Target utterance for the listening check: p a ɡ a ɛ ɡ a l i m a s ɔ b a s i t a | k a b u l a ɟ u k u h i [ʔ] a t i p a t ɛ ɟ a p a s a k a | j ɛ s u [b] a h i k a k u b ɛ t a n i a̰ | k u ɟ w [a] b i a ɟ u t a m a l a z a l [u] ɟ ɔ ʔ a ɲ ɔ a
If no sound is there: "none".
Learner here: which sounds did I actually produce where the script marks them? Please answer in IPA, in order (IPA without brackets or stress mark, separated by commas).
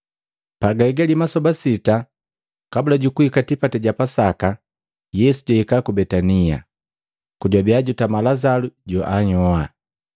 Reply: k, ɟ, a, u